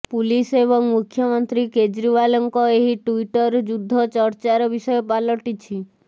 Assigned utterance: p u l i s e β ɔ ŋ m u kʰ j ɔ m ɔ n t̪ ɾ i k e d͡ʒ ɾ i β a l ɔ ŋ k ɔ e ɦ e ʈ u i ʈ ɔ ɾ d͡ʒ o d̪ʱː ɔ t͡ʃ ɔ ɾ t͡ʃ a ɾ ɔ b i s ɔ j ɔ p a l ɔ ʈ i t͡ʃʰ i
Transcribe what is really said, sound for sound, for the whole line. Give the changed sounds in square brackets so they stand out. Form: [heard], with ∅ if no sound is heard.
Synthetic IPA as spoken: p u l i s e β ɔ ŋ m u kʰ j ɔ m ɔ n t̪ ɾ i k e d͡ʒ ɾ i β a l ɔ ŋ k ɔ e ɦ [i] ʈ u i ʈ ɔ ɾ d͡ʒ [u] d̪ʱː ɔ t͡ʃ ɔ ɾ t͡ʃ a ɾ ɔ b i s ɔ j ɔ p a l ɔ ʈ i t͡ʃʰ i

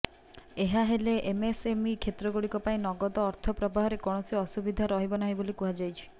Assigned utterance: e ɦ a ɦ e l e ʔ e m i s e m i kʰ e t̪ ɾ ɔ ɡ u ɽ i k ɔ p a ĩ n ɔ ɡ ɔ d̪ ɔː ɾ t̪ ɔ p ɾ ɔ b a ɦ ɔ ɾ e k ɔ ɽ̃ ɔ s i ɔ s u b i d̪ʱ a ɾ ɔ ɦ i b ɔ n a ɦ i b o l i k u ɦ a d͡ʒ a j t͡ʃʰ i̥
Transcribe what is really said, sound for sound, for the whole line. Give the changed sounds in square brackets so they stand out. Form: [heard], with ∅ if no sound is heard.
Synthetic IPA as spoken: e ɦ a ɦ e l e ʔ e m [e] s e m i kʰ e t̪ ɾ ɔ ɡ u ɽ i k ɔ p a ĩ n ɔ ɡ ɔ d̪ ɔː ɾ [t̪ʰ] ɔ p ɾ ɔ b a ɦ ɔ ɾ e k ɔ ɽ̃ ɔ s i ɔ s u b i d̪ʱ a ɾ ɔ ɦ i b ɔ n a ɦ i b o l i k u ɦ a d͡ʒ a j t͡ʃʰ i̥

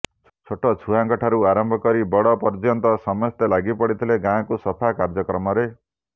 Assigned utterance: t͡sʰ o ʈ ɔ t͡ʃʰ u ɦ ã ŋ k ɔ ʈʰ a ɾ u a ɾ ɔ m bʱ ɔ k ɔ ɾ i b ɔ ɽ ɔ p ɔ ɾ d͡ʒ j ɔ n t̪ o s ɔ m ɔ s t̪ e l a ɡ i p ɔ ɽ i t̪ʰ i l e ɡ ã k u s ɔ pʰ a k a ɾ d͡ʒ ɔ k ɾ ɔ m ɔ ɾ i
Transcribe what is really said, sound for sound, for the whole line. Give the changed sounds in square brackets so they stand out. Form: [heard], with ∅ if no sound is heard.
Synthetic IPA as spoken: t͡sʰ o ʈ ɔ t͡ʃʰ u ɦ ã ŋ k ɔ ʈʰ a ɾ u a ɾ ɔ m bʱ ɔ k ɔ ɾ i b ɔ ɽ ɔ p ɔ ɾ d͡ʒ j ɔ n t̪ [ɔ] s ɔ m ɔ s t̪ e l a ɡ i p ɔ ɽ i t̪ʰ i l e ɡ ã k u s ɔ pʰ a k a ɾ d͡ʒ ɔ k ɾ ɔ m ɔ ɾ [e]

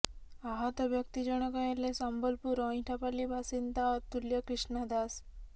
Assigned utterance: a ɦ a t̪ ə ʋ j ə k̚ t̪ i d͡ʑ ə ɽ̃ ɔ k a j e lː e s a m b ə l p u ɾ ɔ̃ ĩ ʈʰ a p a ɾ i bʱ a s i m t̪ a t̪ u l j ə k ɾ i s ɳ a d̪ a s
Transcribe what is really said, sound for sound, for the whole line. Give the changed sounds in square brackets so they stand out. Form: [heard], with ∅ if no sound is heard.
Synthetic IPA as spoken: a ɦ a t̪ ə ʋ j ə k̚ t̪ i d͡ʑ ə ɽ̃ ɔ k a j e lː e s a m b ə l p u ɾ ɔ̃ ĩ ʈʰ a p a [l] i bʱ a s i [n] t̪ a t̪ u l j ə k ɾ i [ʂ] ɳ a d̪ a s

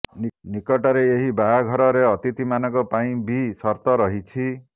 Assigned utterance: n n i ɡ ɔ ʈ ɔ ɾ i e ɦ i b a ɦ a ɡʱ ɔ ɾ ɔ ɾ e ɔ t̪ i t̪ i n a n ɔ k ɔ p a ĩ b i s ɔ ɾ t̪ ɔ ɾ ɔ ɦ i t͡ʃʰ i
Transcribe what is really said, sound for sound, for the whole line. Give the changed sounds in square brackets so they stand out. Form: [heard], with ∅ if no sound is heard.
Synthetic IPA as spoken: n n i [k] ɔ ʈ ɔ ɾ [e] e ɦ i b a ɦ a ɡʱ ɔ ɾ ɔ ɾ e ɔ t̪ i t̪ i [m] a n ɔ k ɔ p a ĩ b i s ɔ ɾ t̪ ɔ ɾ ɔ ɦ i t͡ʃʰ i

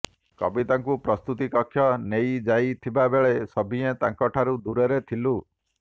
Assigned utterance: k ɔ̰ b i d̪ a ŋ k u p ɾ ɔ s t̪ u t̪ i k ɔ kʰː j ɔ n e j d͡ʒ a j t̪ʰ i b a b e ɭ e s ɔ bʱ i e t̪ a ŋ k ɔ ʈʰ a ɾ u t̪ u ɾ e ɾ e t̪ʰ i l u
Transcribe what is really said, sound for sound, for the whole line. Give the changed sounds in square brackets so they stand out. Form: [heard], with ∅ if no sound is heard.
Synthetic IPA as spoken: k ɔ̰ b i [t̪] a ŋ k u p ɾ ɔ s t̪ u t̪ i k ɔ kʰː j ɔ n e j d͡ʒ a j t̪ʰ i b a b e ɭ e s ɔ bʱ i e t̪ a ŋ k ɔ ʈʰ a ɾ u [d̪] u ɾ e ɾ e t̪ʰ i l u

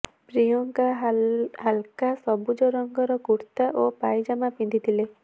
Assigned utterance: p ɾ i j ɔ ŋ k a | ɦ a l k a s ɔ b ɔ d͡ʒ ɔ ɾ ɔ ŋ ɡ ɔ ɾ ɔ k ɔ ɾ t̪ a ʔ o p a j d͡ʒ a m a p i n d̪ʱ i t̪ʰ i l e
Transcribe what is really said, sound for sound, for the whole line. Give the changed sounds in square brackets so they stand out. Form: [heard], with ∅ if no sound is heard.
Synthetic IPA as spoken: p ɾ i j ɔ ŋ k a | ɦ a l k a s ɔ b [u] d͡ʒ ɔ ɾ ɔ ŋ ɡ ɔ ɾ ɔ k [u] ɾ t̪ a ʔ o p a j d͡ʒ a m a p i n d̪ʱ i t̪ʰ i l e

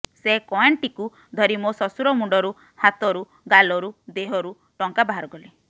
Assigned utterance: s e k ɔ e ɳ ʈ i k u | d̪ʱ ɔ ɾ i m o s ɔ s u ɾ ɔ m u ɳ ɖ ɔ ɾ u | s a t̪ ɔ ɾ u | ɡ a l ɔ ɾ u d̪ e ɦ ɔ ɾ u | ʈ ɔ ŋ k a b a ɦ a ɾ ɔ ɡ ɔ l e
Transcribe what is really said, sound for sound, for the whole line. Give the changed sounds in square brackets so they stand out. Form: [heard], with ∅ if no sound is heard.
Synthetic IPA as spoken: s e k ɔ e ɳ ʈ i k u | d̪ʱ ɔ ɾ i m o s ɔ s u ɾ ɔ m u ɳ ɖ ɔ ɾ u | [h] a t̪ ɔ ɾ u | ɡ a l ɔ ɾ u d̪ e ɦ ɔ ɾ u | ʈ ɔ ŋ k a b a ɦ a ɾ ɔ ɡ ɔ l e

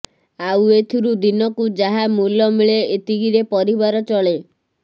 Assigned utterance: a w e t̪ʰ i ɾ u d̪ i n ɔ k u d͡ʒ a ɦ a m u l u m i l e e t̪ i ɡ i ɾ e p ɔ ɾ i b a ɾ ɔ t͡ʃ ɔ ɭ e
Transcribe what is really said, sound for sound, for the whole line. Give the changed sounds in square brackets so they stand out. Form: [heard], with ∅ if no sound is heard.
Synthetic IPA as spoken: a w e t̪ʰ i ɾ u d̪ i n ɔ k u d͡ʒ a ɦ a m u l [ɔ] m i [ɭ] e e t̪ i ɡ i ɾ e p ɔ ɾ i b a ɾ ɔ t͡ʃ ɔ ɭ e

